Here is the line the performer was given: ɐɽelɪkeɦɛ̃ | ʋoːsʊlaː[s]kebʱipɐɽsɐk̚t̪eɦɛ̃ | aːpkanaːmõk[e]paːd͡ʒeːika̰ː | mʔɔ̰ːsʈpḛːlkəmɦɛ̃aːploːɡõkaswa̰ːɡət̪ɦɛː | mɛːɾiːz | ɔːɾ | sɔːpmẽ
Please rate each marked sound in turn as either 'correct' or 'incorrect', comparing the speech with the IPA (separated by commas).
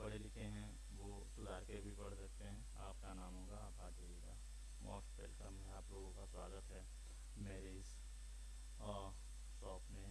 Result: incorrect, incorrect